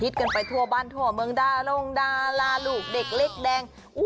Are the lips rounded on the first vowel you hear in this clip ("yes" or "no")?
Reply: no